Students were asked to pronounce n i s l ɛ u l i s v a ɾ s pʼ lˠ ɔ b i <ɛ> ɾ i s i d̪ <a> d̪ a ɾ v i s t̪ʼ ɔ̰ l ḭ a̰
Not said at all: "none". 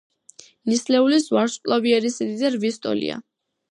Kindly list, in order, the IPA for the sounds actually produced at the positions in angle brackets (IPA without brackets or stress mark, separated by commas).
ɛ, i